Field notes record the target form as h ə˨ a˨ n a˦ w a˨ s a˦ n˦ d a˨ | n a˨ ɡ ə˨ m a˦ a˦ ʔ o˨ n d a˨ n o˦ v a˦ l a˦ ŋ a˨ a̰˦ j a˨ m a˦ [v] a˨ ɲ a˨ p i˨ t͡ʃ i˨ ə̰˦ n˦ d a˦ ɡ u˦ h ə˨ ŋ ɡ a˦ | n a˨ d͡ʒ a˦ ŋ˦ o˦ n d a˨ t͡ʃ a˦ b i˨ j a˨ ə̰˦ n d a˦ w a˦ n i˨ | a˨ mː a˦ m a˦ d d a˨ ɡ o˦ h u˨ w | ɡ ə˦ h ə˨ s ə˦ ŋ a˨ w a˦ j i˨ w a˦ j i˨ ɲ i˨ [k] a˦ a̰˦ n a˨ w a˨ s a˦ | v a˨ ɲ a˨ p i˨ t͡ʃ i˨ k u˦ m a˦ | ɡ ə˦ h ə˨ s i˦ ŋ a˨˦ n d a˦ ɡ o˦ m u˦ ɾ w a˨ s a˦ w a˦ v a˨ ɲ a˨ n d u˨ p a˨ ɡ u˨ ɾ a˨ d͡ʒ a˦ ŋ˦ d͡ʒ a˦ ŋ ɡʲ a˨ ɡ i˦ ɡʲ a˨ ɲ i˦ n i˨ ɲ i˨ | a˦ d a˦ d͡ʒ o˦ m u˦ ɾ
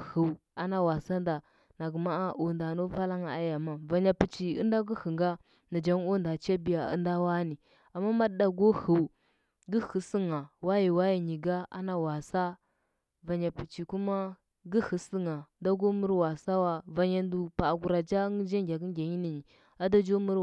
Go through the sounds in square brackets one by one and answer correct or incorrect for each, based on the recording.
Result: correct, incorrect: ɡ

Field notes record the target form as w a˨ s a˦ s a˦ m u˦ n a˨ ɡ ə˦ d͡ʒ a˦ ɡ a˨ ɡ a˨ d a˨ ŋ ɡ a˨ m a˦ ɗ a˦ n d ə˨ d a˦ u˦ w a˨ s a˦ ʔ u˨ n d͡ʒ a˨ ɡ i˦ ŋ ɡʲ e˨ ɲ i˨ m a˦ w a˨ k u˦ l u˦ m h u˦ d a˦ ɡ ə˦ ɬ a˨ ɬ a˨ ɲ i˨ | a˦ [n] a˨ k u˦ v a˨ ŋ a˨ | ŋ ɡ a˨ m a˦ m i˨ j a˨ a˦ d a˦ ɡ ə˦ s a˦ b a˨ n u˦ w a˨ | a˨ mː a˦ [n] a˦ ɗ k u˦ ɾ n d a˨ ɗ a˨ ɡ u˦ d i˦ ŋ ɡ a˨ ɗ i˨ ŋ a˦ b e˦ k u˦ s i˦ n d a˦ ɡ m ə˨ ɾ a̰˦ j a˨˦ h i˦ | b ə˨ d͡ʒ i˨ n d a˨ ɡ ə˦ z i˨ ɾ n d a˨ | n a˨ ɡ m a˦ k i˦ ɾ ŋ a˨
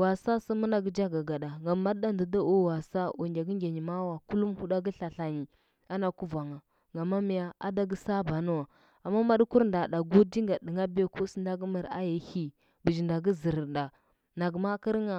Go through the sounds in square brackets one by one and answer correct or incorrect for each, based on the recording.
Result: correct, incorrect: m

